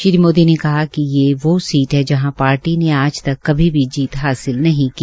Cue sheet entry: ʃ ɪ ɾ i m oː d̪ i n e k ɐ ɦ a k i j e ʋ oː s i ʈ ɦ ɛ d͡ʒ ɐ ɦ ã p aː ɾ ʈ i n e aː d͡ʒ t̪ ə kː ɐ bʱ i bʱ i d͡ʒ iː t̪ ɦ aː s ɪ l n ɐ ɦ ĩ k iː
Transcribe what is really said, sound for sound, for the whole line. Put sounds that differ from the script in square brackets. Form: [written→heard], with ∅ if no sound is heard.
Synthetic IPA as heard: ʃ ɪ ɾ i m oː d̪ i n e k ɐ ɦ a k i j e ʋ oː s [i→iː] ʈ ɦ ɛ d͡ʒ ɐ ɦ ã p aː ɾ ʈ i n e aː d͡ʒ t̪ [ə→ɐ] kː ɐ bʱ i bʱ i d͡ʒ iː t̪ ɦ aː s ɪ l n ɐ ɦ ĩ k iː

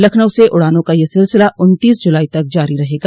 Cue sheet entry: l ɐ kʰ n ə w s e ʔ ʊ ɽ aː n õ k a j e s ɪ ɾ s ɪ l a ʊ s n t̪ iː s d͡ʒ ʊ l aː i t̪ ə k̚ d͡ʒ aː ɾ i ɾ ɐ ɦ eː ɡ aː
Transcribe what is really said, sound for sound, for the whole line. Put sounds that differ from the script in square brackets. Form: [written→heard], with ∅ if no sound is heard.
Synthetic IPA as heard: l ɐ kʰ n ə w s e ʔ ʊ ɽ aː n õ k a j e s ɪ [ɾ→l] s ɪ l a ʊ [s→∅] n t̪ iː s d͡ʒ ʊ l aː i t̪ [ə→ɐ] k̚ d͡ʒ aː ɾ i ɾ ɐ ɦ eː ɡ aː

